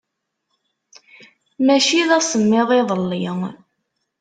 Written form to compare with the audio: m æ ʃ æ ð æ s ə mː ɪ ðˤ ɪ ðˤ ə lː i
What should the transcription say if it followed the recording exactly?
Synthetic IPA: m æ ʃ i ð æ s ə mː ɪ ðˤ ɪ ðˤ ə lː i

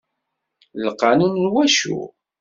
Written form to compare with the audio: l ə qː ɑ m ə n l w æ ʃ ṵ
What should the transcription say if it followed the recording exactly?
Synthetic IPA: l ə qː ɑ n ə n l w æ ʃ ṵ

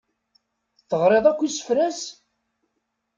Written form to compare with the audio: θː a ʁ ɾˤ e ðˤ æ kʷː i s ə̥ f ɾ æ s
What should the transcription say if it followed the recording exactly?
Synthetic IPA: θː ə ʁ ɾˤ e ðˤ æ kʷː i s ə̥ f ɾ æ s

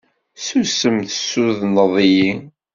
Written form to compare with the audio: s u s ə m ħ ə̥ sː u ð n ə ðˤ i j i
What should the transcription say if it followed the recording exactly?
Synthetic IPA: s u s ə m θ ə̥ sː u ð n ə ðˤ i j i

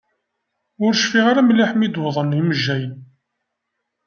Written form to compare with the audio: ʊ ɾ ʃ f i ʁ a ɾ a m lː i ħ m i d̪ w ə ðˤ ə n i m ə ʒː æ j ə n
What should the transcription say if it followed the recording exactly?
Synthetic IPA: ʊ ɾ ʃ f i ʁ a ɾ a m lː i ħ m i d̪ w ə ðˤ ə n i m ə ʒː æ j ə n

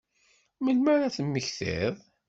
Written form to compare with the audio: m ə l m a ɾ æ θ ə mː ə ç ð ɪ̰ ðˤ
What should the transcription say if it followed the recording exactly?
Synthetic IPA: m ə l m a ɾ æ θ ə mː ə ç θ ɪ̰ ðˤ

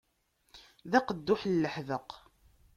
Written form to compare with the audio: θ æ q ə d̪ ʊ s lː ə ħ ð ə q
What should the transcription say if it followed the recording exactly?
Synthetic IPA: ð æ q ə d̪ː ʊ ħ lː ə ħ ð ə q

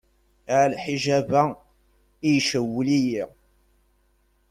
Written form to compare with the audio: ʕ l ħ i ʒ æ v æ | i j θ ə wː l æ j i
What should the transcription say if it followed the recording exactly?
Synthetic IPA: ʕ l ħ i ʒ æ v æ | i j ʃ ə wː l i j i

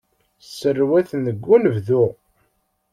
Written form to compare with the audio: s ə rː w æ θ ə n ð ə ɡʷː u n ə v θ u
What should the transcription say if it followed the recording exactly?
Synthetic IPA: s ə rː w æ θ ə n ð ə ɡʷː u n ə v ð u

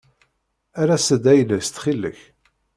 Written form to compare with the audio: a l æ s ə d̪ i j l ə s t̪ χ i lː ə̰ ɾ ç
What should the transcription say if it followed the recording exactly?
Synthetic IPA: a ɾ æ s ə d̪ æ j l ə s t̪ χ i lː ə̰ ç

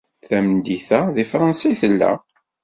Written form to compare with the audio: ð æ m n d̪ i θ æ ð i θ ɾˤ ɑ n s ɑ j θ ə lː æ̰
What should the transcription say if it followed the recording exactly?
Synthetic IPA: θ æ m n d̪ i θ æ ð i f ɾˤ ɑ n s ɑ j θ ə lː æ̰

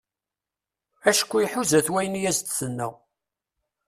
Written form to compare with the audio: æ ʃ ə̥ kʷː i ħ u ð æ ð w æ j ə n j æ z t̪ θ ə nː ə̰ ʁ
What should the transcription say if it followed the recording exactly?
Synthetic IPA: æ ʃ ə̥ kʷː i ħ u z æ θ w æ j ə n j æ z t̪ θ ə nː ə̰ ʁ

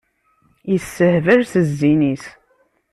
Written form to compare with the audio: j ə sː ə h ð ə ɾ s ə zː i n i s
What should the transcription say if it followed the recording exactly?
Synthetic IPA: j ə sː ə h v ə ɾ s ə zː i n i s

